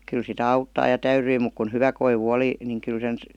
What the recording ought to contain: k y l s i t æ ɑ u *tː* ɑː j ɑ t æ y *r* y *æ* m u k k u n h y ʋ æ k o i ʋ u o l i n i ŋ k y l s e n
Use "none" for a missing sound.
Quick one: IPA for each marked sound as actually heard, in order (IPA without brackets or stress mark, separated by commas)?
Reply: tː, r, i